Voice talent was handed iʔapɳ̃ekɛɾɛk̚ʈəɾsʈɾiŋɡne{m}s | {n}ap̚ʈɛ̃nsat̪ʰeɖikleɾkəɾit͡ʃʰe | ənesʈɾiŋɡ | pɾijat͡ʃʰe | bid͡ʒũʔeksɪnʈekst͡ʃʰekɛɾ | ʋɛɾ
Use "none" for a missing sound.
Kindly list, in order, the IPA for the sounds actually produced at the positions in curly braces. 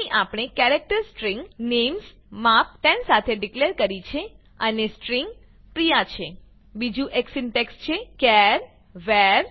m, m

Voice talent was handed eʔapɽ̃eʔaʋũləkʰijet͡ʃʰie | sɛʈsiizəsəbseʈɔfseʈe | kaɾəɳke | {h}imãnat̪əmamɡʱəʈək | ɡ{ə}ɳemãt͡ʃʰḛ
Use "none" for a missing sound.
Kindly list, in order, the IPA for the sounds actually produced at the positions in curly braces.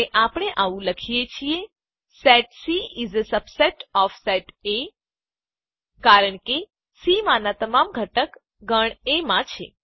s, ə

